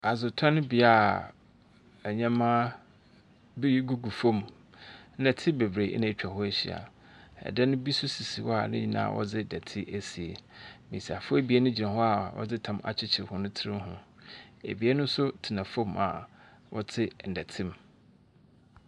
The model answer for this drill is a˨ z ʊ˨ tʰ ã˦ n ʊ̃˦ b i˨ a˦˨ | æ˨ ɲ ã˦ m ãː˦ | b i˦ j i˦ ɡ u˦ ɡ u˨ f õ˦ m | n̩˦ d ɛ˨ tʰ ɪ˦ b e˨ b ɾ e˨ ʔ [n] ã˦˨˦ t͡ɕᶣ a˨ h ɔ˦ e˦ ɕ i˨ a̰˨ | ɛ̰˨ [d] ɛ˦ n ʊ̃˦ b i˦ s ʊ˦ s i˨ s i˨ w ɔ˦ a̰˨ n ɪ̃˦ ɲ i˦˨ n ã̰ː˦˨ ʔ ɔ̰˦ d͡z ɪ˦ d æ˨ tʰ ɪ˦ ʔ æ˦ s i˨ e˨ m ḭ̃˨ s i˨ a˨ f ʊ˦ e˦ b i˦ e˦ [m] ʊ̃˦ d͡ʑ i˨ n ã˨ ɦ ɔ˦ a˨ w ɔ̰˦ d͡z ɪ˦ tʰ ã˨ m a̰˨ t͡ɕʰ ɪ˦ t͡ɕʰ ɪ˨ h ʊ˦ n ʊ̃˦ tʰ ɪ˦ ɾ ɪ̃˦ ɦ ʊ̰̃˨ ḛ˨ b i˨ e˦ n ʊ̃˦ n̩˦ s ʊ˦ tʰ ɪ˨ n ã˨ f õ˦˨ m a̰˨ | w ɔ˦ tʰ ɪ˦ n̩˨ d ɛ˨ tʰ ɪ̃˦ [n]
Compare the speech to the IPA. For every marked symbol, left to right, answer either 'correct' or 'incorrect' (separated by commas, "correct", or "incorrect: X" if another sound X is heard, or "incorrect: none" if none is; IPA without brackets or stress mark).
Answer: correct, correct, incorrect: n, incorrect: m